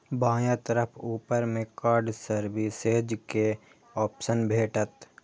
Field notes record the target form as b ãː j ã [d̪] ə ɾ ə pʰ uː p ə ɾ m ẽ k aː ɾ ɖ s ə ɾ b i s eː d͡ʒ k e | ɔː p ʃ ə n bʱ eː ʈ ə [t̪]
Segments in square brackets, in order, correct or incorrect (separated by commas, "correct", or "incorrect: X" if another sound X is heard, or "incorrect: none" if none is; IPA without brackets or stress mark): incorrect: t̪, correct